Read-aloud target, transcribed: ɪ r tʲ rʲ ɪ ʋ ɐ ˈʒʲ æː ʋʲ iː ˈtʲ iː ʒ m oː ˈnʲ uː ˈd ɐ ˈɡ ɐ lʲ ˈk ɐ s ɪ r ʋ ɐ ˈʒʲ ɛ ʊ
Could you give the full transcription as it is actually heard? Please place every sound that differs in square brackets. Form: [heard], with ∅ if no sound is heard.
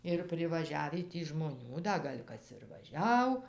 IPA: ɪ r [pʲ] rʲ ɪ ʋ ɐ ˈʒʲ æː ʋʲ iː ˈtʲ iː ʒ m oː ˈnʲ uː ˈd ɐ ˈɡ ɐ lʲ ˈk ɐ s ɪ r ʋ ɐ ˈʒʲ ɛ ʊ